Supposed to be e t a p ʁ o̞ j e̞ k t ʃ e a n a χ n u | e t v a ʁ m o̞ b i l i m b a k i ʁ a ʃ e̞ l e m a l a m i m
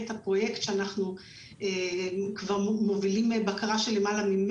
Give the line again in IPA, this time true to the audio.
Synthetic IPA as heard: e t a p ʁ o̞ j e̞ k t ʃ e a n a χ n u | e k v a ʁ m o̞ v i l i m b a k a ʁ a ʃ e̞ l e m a l a m i m